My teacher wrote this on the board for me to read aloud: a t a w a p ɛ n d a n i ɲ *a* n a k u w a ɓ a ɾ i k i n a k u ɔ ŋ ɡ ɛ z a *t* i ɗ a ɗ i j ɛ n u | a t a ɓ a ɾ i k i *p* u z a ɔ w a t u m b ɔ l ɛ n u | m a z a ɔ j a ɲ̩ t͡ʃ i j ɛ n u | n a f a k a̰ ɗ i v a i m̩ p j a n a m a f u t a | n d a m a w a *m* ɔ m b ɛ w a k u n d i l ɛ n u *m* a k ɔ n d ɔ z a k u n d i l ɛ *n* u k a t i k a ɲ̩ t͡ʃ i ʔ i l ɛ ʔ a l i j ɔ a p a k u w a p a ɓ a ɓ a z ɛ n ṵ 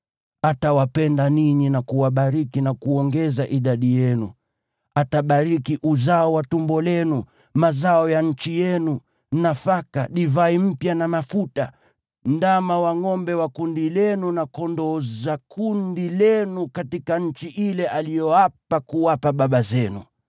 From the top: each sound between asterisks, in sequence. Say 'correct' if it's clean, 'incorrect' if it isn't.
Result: incorrect, incorrect, incorrect, incorrect, incorrect, correct

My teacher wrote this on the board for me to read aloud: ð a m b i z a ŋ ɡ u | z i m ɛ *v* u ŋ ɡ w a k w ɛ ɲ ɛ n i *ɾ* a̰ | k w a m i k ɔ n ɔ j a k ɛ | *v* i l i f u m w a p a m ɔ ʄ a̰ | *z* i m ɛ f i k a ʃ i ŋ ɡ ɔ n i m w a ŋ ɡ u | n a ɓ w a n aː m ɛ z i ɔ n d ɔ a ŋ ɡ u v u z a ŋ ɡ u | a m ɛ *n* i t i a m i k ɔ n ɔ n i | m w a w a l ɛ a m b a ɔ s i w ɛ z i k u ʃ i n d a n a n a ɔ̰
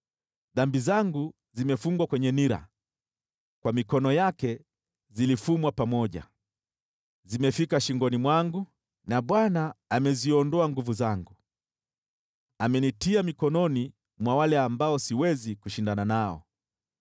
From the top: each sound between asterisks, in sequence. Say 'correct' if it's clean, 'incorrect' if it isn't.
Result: incorrect, correct, incorrect, correct, correct

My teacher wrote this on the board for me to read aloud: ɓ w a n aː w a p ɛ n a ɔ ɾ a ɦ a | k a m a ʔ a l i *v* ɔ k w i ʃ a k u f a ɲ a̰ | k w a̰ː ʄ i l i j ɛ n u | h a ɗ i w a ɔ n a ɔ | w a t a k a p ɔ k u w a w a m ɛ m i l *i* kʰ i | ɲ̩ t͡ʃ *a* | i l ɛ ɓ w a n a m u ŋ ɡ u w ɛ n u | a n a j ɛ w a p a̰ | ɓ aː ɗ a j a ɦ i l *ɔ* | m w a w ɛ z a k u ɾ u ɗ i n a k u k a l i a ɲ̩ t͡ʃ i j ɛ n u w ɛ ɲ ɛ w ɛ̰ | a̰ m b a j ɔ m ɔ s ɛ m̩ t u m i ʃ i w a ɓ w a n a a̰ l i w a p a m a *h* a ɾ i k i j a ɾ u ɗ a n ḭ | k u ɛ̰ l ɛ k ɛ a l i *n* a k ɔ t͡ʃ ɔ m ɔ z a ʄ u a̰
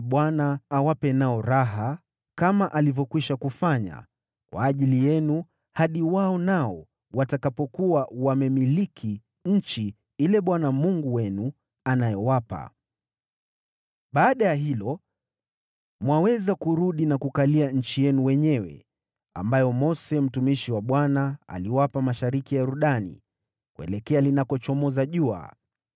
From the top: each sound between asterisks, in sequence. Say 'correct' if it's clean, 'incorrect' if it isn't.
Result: correct, correct, incorrect, correct, incorrect, correct

